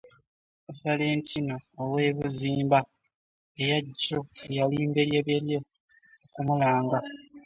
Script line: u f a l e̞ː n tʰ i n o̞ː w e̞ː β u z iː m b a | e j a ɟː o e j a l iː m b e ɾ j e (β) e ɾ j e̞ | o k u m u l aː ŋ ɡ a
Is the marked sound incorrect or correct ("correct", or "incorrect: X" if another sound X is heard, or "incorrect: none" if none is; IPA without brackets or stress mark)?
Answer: correct